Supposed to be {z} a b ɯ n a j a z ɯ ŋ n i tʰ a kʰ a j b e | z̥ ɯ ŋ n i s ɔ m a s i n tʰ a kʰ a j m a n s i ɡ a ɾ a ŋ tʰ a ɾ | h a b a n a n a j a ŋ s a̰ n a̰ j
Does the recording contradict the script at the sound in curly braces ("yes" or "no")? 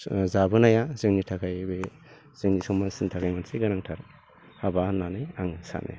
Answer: no